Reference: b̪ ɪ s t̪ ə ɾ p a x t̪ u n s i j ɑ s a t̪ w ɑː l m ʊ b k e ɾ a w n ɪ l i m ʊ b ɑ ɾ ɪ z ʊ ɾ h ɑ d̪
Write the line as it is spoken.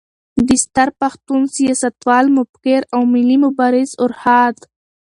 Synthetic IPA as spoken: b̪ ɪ s t̪ a ɾ p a x t̪ u n s i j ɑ s a t̪ w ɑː l m ʊ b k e ɾ a w m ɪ l i m ʊ b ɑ ɾ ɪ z ʊ ɾ h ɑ d̪